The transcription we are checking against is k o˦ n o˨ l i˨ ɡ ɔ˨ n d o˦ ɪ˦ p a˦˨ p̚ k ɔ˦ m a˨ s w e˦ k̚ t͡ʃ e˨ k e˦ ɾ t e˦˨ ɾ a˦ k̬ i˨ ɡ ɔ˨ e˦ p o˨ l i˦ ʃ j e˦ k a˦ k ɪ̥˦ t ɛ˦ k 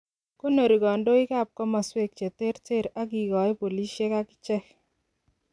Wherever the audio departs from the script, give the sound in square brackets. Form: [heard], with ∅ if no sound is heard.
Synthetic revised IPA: k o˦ n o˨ [ɾ] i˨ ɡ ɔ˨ n d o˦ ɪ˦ [k] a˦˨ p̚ k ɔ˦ m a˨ s w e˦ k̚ t͡ʃ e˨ [t] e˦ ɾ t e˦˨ ɾ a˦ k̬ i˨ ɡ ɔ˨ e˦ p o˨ l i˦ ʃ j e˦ k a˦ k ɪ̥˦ [t͡ʃ] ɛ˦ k